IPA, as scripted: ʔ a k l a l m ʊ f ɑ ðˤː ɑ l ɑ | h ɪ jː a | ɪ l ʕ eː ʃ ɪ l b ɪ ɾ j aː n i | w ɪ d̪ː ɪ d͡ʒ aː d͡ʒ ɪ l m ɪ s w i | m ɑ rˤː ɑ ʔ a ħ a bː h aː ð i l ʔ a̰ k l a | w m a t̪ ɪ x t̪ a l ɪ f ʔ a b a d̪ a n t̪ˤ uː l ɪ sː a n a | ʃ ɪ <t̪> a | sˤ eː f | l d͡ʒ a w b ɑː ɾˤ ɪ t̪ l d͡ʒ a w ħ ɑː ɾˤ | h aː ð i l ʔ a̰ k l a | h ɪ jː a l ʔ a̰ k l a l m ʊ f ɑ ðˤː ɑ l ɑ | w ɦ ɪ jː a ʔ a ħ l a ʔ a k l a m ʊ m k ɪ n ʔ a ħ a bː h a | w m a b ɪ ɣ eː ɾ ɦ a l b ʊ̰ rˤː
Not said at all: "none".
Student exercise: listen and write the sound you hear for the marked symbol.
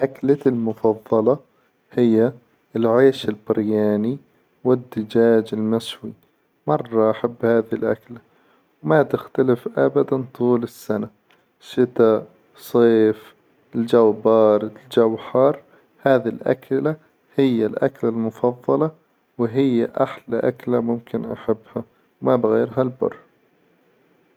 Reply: t̪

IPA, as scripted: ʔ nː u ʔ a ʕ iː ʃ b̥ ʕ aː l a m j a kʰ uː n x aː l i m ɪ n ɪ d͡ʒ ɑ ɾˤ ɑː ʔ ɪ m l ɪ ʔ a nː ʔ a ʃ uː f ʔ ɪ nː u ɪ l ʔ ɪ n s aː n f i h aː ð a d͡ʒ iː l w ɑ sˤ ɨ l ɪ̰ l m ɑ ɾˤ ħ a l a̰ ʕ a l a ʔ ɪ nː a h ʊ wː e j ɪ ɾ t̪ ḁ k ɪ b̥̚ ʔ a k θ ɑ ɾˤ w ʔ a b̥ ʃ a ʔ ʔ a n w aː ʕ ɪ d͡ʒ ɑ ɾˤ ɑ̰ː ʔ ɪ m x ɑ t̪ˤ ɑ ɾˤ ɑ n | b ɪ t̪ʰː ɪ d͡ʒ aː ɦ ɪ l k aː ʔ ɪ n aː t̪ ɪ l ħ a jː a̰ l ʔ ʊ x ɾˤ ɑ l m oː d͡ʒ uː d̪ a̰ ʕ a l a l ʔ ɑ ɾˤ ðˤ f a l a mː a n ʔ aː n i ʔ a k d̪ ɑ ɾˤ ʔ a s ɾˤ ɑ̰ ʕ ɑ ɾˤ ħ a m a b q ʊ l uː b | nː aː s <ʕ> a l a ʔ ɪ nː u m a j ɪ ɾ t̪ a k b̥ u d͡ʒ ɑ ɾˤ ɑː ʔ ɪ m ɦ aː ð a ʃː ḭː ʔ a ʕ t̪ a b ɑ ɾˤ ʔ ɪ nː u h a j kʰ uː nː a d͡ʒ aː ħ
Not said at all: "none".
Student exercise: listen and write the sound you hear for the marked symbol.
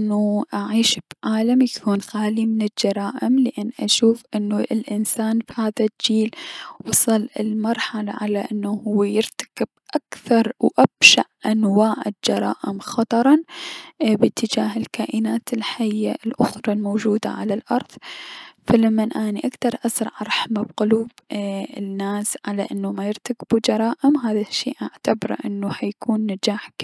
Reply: ʕ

